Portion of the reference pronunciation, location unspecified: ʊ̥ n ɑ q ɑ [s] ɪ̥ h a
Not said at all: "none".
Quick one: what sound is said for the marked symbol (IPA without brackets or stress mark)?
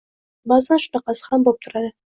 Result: s